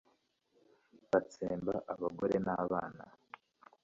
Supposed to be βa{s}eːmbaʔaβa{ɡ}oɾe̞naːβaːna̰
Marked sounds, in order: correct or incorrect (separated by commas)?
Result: incorrect, correct